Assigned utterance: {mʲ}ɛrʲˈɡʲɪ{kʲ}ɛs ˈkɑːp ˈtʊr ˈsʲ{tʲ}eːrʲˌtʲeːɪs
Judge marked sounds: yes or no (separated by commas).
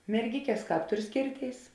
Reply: yes, yes, no